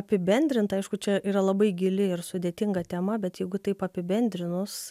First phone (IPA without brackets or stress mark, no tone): ɐ